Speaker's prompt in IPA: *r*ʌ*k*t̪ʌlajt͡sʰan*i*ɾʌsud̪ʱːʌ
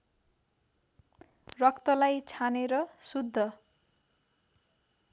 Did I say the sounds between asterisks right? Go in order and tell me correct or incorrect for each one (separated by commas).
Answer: correct, correct, incorrect